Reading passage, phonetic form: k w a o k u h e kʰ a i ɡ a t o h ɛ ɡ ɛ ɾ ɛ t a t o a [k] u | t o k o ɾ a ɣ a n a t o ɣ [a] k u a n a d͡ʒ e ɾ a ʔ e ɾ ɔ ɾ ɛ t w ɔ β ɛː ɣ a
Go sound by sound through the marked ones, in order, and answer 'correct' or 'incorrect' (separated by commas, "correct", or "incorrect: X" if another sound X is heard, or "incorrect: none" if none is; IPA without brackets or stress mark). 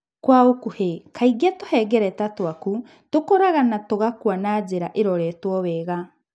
correct, correct